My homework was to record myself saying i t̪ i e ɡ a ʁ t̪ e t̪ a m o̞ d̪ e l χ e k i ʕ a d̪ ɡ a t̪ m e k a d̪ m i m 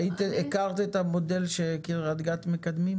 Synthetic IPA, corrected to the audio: i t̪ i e k a ʁ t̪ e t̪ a m o̞ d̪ e l ʃ e k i ʁ a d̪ ɡ a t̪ m e k a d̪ m i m